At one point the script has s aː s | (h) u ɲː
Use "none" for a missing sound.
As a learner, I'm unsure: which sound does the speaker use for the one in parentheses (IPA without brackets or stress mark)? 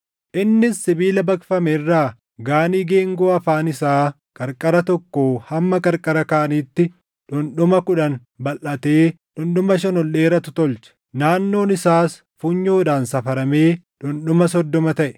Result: f